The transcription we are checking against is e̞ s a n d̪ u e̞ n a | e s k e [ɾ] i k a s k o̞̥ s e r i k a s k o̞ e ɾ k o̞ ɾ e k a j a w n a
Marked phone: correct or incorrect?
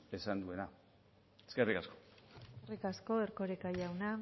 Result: incorrect